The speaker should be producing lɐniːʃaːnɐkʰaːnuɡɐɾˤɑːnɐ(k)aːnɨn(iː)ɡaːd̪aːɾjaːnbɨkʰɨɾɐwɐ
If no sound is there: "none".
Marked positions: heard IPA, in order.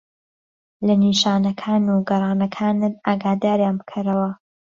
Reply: kʰ, aː

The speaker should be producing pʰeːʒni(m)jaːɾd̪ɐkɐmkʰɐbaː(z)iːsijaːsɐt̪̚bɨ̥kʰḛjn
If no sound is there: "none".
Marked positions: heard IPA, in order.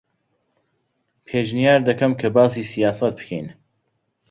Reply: none, s

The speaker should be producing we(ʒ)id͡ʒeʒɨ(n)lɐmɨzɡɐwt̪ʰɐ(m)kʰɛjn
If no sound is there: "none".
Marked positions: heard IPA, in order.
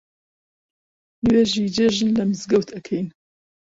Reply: ʒ, n, none

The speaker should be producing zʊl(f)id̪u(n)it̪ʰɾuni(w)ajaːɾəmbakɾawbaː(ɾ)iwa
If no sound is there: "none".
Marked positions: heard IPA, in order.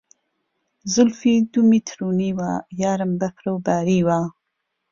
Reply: f, m, w, ɾ

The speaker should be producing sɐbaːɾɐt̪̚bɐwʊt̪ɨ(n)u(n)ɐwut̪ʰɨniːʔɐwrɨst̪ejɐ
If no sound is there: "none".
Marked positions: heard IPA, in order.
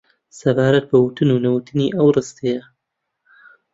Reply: n, n

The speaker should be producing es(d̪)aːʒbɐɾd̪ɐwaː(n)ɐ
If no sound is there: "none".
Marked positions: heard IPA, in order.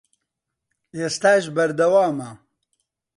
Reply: t̪, m

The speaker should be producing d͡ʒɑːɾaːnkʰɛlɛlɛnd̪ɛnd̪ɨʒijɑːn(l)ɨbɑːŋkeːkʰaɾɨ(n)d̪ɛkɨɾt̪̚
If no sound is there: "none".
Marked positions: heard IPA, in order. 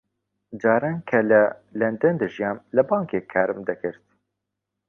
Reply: l, m

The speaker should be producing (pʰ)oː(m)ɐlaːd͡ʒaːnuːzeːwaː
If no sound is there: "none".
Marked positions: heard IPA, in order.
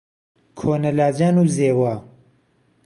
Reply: kʰ, n

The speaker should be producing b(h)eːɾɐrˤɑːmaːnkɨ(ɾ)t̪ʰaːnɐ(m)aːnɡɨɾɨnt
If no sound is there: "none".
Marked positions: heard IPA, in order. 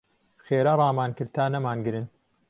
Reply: x, ɾ, m

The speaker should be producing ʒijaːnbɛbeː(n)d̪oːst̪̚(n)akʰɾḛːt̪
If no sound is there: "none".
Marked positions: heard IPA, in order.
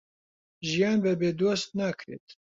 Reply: none, n

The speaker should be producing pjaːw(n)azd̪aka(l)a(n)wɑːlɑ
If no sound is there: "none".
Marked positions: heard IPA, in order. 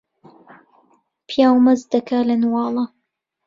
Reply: m, l, n

